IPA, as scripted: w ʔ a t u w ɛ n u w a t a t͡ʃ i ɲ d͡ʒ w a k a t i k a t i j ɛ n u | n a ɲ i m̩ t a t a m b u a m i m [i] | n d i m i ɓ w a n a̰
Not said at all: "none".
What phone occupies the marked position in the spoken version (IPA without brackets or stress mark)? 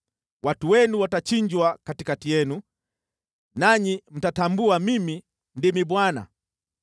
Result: i